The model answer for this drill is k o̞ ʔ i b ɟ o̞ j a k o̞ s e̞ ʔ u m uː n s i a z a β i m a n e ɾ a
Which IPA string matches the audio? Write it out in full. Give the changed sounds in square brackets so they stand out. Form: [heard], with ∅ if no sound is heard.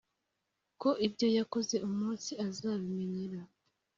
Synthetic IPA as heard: k o̞ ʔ i b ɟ o̞ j a k o̞ [z] e̞ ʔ u m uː n s i a z a β i m [e] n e ɾ a